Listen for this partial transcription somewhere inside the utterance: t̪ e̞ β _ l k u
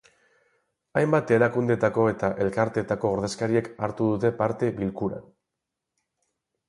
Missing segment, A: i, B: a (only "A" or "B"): A